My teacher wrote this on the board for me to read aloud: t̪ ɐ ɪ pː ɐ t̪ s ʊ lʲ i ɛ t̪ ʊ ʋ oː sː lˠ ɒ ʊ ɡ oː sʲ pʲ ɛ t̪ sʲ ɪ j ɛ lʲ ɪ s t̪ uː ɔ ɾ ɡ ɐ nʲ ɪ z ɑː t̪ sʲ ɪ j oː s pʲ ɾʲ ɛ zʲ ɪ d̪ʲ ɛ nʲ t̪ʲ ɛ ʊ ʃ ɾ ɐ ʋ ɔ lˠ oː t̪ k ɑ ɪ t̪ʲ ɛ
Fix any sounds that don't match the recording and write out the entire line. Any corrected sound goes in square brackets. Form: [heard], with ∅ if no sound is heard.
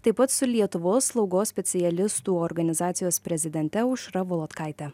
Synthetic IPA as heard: t̪ ɐ ɪ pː ɐ t̪ s ʊ lʲ i ɛ t̪ ʊ ʋ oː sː lˠ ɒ ʊ ɡ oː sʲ pʲ ɛ t̪ sʲ ɪ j ɛ lʲ ɪ s t̪ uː ɔ ɾ ɡ ɐ nʲ ɪ z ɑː t̪ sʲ ɪ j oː s pʲ ɾʲ ɛ zʲ ɪ d̪ʲ ɛ nʲ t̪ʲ ɛ ʊ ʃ ɾ ɐ ʋ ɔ lˠ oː t̪ k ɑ ɪ t̪ʲ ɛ